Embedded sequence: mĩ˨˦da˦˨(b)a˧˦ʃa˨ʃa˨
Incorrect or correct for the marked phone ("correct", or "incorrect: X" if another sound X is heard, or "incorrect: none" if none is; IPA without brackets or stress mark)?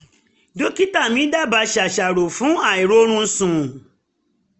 correct